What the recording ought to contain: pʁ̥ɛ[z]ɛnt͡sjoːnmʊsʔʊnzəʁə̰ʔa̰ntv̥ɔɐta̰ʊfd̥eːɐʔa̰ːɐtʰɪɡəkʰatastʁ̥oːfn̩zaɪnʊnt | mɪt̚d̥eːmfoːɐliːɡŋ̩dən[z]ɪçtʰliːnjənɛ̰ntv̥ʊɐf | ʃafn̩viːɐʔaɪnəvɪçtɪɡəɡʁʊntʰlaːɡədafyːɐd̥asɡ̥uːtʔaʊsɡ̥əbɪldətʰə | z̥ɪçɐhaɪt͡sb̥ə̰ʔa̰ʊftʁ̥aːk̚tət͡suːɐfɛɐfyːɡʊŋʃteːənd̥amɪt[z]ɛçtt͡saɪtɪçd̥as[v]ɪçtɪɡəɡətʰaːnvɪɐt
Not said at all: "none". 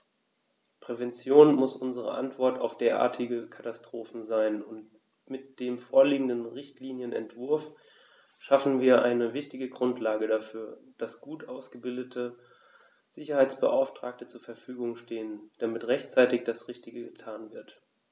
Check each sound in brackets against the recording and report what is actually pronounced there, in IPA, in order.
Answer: v, ʁ, ʁ, ʁ

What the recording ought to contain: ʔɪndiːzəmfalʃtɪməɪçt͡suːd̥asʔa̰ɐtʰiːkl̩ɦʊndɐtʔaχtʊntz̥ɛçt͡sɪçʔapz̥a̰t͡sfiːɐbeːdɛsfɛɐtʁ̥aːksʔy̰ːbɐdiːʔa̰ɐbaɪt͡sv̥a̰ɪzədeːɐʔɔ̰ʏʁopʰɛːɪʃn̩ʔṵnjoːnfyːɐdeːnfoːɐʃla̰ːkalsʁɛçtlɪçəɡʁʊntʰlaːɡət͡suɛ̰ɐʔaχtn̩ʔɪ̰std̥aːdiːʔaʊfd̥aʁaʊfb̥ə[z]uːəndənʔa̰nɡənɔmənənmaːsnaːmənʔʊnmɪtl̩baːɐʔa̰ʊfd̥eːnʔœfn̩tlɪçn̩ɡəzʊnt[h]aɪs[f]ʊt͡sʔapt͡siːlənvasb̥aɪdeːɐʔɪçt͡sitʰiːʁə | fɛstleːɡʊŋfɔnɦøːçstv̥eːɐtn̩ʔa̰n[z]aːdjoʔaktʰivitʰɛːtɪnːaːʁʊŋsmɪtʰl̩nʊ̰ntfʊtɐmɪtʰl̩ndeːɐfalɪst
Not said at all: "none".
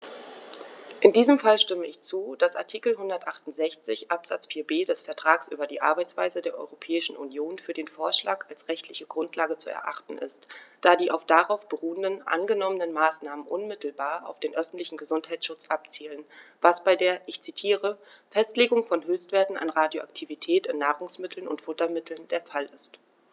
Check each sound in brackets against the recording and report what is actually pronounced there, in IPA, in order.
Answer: ʁ, h, ʃ, ʁ

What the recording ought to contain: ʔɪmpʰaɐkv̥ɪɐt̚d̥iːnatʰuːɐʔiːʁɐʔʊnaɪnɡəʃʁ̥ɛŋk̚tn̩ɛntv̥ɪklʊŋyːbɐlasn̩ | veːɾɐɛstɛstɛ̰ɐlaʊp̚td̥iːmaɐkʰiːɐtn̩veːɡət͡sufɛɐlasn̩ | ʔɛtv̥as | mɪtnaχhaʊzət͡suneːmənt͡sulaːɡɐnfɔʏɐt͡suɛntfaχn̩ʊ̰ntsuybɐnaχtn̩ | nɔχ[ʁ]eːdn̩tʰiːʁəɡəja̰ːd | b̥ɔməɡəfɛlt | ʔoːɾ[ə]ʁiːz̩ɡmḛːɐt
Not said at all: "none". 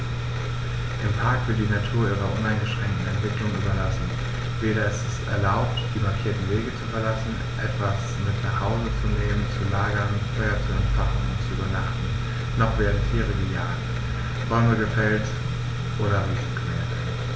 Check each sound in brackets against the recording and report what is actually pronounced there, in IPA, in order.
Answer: v, ɐ

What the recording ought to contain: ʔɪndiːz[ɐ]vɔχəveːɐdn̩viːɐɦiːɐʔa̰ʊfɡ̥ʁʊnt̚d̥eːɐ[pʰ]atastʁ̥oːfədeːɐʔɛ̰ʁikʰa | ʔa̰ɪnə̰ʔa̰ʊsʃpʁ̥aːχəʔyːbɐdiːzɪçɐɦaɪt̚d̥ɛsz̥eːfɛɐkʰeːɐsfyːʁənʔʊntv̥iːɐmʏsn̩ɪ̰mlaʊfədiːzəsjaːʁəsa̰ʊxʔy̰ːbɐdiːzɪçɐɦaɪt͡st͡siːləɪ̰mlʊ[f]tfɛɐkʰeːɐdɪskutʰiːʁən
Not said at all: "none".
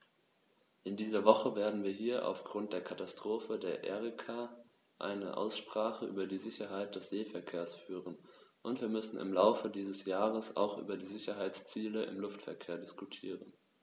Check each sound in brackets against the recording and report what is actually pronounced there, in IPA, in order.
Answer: ɐ, kʰ, f

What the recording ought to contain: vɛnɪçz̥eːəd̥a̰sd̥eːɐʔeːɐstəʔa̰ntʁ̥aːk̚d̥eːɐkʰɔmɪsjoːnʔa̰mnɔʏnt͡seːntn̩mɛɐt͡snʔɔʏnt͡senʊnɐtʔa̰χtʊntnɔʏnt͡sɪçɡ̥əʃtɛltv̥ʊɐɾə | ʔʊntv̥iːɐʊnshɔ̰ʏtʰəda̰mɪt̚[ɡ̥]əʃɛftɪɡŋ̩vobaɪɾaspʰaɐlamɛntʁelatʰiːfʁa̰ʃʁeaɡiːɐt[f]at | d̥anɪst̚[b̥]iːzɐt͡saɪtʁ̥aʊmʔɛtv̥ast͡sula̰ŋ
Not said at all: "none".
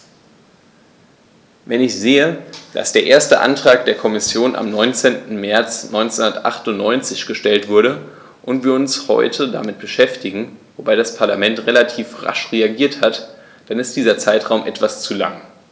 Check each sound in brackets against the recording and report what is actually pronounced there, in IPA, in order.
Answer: b̥, h, d̥

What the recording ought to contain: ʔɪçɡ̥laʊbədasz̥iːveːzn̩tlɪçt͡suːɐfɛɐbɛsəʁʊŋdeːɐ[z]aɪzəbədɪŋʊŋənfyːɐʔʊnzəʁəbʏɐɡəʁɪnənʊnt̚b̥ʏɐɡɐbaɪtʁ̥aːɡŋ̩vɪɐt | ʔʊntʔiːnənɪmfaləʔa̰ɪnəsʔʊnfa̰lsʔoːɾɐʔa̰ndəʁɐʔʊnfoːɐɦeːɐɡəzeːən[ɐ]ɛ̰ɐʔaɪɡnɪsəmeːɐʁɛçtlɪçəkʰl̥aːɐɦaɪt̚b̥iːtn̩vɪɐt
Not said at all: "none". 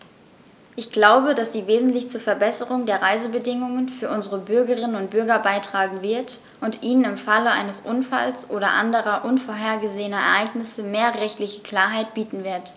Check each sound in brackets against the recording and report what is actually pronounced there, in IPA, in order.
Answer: ʁ, ɐ

